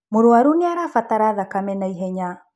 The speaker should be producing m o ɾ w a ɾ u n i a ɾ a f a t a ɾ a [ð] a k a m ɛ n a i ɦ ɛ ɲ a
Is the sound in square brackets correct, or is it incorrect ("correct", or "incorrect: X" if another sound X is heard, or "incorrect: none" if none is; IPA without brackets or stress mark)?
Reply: correct